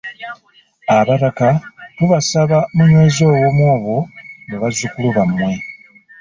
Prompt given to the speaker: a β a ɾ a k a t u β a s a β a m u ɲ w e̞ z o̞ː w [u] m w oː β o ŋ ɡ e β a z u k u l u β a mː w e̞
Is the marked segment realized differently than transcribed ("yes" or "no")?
yes